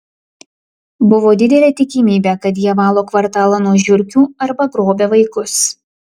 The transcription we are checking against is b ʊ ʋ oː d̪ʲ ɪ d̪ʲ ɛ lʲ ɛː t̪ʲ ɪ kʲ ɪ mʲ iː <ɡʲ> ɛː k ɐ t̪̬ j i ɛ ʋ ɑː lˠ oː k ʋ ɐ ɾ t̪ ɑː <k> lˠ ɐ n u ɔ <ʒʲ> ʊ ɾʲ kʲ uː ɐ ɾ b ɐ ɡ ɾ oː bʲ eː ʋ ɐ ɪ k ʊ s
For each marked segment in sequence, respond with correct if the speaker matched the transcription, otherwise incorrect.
incorrect: bʲ, incorrect: none, correct

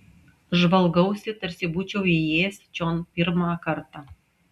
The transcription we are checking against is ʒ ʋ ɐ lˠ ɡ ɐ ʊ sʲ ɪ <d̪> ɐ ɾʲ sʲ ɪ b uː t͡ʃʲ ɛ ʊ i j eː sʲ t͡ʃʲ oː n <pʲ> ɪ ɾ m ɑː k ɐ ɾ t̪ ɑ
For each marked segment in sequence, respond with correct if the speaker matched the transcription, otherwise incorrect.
incorrect: t̪, correct

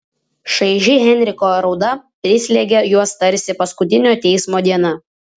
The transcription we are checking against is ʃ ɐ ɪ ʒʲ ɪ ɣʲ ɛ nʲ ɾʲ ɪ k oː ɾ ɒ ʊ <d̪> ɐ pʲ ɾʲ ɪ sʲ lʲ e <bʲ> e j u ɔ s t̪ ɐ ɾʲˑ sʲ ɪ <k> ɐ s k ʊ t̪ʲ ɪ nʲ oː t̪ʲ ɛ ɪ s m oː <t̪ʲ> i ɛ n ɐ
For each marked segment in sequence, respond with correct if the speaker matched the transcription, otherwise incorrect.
correct, incorrect: ɡʲ, incorrect: p, incorrect: d̪ʲ

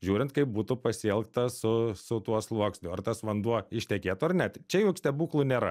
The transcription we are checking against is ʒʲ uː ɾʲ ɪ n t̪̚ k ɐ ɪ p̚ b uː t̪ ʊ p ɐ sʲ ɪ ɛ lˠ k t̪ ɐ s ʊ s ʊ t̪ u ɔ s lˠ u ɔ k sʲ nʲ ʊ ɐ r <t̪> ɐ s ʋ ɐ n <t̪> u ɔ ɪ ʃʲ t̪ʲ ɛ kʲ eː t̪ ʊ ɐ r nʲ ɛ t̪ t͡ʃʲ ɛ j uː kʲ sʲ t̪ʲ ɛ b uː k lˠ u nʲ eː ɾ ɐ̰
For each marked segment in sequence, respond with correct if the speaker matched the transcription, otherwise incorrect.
correct, incorrect: d̪

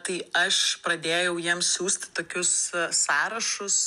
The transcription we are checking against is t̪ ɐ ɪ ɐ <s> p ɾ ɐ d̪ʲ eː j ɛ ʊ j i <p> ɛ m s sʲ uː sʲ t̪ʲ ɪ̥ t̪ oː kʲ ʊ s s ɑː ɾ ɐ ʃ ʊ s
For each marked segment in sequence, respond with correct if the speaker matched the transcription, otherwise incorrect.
incorrect: ʃ, incorrect: none

